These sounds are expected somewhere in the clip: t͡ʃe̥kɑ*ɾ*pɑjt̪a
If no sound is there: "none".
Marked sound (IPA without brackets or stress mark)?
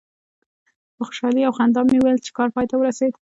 ɾ